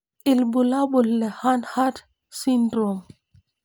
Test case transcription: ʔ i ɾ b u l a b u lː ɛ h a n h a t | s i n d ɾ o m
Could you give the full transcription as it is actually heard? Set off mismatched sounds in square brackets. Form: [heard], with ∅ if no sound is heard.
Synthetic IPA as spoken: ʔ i [l] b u l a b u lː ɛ h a n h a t | s i n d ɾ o m